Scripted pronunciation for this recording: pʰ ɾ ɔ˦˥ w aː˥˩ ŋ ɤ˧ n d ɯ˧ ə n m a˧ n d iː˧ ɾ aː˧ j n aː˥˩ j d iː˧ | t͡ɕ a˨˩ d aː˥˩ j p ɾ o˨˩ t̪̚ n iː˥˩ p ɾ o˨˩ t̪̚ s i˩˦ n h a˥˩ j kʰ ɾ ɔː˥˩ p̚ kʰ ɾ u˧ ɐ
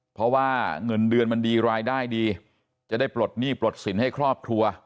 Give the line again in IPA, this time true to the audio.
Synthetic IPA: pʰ ɾ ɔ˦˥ w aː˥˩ ŋ ɤ˧ n d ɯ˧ ə n m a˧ n d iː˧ ɾ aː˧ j d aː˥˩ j d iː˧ | t͡ɕ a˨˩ d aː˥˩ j p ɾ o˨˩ t̪̚ n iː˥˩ p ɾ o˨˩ t̪̚ s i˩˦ n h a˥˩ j kʰ ɾ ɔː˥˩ p̚ kʰ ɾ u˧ ɐ

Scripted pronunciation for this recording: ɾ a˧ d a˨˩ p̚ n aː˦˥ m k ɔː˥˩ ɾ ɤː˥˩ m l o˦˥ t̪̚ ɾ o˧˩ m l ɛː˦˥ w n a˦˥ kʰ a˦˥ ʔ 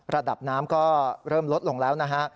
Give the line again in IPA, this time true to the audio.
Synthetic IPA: ɾ a˧ d a˨˩ p̚ n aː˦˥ m k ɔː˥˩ ɾ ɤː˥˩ m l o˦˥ t̪̚ l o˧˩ ŋ l ɛː˦˥ w n a˦˥ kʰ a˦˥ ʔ

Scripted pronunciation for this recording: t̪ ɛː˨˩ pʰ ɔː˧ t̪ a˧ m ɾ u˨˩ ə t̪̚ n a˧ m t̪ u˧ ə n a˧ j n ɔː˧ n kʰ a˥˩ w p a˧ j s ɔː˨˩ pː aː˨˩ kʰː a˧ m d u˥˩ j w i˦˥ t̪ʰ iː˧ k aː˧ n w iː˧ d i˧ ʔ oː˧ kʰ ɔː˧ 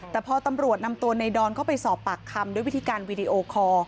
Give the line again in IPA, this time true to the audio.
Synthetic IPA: t̪ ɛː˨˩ pʰ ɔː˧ t̪ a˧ m ɾ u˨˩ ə t̪̚ n a˧ m t̪ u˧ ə n a˧ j d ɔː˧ n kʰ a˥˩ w p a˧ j s ɔː˨˩ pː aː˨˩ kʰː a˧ m d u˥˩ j w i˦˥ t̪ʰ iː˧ k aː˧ n w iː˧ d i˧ ʔ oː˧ kʰ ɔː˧

